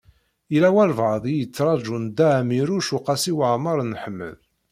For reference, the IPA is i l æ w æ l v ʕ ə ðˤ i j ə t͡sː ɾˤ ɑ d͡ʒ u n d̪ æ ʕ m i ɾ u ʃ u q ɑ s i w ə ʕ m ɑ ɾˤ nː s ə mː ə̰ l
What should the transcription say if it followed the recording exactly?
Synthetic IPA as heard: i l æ w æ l v ʕ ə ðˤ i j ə t͡sː ɾˤ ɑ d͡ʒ u n d̪ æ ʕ m i ɾ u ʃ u q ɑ s i w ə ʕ m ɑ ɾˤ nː ħ ə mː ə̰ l